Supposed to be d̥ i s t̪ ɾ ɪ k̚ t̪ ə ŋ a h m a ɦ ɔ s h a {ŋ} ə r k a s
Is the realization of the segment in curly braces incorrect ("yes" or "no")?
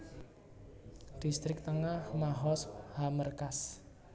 yes